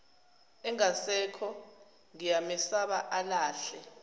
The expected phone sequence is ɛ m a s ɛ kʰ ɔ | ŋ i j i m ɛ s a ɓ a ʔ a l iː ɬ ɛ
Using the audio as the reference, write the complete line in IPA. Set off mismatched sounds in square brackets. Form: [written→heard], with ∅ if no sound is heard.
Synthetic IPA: ɛ [m→ŋ] a s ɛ kʰ ɔ | ŋ i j [i→a] m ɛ s a ɓ a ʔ a l [iː→aː] ɬ ɛ